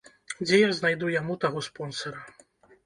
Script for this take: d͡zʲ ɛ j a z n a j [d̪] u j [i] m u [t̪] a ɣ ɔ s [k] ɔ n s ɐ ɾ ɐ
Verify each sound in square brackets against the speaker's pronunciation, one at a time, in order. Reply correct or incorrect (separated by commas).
correct, incorrect, correct, incorrect